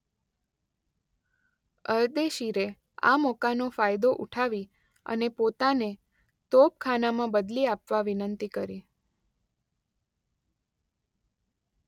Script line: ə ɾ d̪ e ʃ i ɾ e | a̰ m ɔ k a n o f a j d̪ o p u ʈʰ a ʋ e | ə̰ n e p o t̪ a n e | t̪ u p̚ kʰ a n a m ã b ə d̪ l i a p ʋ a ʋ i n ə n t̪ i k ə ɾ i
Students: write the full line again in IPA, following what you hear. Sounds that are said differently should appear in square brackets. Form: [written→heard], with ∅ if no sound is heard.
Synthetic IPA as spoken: ə ɾ d̪ e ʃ i ɾ e | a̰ m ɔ k a n o f a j d̪ o [p→ʔ] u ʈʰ a ʋ [e→i] | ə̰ n e p o t̪ a n e | t̪ [u→o] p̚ kʰ a n a m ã b ə d̪ l i a p ʋ a ʋ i n ə n t̪ i k ə ɾ i